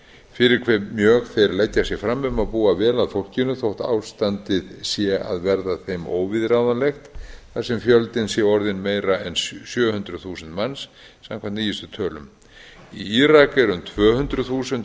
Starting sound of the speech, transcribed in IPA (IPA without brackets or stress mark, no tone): f